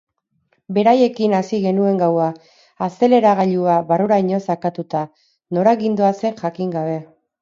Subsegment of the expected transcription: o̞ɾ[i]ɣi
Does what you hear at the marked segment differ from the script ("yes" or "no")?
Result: yes